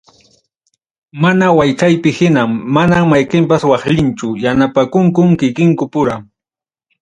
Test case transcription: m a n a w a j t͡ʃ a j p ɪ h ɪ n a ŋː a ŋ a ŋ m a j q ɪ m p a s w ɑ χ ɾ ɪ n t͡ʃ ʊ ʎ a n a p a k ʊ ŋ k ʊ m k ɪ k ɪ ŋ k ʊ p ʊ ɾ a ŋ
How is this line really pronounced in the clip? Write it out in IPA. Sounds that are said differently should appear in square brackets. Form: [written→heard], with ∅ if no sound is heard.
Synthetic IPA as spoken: m a n a w a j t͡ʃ a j p ɪ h ɪ n a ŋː a [ŋ→n] a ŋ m a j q ɪ m p a s w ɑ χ [ɾ→ʎ] ɪ n t͡ʃ ʊ [ʎ→j] a n a p a k ʊ ŋ k ʊ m k ɪ k ɪ ŋ k ʊ p ʊ ɾ a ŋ